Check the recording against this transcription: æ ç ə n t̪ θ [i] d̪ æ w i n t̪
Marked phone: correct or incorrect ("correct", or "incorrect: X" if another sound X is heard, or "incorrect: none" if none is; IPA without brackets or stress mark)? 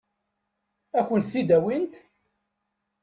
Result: correct